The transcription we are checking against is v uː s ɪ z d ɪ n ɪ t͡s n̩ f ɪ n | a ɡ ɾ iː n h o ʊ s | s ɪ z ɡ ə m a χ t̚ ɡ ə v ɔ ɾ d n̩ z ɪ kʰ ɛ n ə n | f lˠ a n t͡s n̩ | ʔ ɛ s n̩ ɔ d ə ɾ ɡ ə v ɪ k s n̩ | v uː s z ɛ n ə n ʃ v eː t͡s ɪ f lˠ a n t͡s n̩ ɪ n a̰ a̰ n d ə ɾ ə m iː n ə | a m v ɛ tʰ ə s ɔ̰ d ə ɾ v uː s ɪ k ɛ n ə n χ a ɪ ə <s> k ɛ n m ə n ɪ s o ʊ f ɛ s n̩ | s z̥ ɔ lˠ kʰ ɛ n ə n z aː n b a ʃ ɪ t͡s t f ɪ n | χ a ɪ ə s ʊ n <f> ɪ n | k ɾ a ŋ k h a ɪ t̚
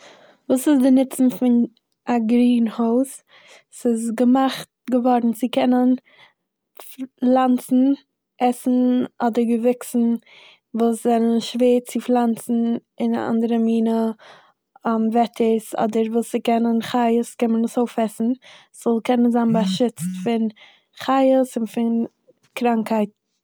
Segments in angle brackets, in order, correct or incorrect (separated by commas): correct, correct